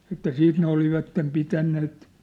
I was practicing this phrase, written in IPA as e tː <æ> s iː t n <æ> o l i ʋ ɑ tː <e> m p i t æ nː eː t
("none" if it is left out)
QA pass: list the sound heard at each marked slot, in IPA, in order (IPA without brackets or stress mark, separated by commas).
æ, e, e